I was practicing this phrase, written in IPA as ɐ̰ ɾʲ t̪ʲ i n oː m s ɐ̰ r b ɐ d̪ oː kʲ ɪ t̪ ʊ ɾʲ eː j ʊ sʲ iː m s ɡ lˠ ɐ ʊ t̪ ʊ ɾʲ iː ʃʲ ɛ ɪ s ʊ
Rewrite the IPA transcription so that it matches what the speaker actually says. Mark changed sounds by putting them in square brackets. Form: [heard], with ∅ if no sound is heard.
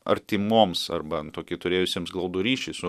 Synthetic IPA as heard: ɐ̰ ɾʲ t̪ʲ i [m] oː m s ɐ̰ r b ɐ [t̪] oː kʲ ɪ t̪ ʊ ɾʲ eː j ʊ sʲ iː m s ɡ lˠ ɐ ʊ [d̪] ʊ ɾʲ iː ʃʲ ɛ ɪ s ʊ